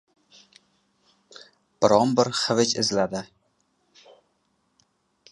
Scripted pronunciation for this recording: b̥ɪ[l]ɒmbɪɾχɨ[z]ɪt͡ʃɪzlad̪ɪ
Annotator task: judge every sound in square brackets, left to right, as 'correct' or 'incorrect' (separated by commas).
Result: incorrect, incorrect